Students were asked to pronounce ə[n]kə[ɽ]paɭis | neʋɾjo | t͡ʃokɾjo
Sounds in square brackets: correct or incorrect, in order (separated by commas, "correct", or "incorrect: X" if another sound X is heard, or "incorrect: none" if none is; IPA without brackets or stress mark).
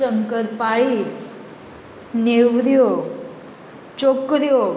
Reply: incorrect: ŋ, incorrect: ɾ